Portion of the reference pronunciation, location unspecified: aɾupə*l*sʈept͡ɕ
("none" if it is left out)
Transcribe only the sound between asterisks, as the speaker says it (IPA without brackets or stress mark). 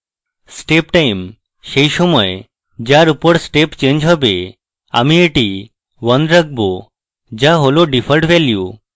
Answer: ɽ